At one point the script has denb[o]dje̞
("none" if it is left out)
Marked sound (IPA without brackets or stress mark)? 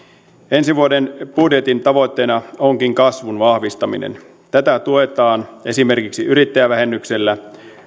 u